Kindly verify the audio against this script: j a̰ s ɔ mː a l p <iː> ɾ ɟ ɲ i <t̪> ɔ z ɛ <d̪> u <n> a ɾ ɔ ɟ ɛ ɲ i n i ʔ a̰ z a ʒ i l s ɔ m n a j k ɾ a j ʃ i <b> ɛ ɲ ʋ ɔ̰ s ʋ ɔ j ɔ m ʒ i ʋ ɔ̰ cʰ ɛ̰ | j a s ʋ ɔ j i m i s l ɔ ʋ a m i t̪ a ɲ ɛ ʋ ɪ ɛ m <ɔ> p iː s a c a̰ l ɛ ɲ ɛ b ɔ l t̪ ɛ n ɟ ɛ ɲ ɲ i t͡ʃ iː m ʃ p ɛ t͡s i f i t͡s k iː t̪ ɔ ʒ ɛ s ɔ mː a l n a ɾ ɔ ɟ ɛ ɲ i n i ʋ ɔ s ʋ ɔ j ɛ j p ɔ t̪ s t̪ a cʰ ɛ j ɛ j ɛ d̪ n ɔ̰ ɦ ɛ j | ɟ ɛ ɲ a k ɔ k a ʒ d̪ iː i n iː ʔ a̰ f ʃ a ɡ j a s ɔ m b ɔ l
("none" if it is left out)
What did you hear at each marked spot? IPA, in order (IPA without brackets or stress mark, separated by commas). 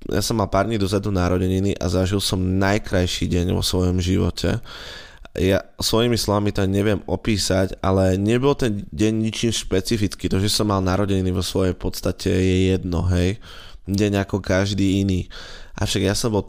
aː, d̪, d̪, n, ɟ, ɔ